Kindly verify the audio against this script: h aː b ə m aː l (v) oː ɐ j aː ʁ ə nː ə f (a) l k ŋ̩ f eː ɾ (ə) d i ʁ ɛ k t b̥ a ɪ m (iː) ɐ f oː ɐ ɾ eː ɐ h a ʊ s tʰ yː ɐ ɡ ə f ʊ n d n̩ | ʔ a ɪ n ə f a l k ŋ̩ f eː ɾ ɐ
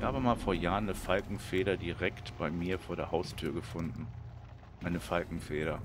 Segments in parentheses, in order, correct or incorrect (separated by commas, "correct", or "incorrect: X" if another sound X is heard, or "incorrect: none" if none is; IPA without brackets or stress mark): incorrect: f, correct, incorrect: ɐ, correct